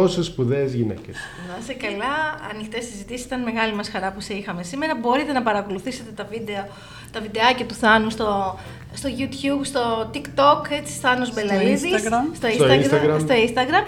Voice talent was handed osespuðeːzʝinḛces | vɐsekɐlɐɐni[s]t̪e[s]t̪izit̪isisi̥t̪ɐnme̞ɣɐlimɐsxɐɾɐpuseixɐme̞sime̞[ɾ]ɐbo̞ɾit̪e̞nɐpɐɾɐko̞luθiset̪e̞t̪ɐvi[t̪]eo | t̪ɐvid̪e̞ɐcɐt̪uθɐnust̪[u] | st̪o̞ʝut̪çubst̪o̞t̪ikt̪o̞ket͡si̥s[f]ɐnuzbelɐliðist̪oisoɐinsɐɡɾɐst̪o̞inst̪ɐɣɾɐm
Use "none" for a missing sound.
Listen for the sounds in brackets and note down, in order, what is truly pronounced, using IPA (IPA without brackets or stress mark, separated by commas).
x, s, ɾ, d̪, o, θ